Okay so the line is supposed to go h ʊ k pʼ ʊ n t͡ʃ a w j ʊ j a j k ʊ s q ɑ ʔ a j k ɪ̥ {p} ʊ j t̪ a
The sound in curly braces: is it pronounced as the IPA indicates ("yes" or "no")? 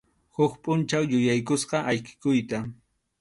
no